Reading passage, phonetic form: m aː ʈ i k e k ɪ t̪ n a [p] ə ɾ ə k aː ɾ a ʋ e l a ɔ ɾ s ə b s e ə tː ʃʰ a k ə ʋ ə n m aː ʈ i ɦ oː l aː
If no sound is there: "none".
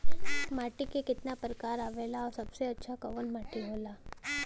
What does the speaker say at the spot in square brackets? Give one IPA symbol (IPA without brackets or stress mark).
p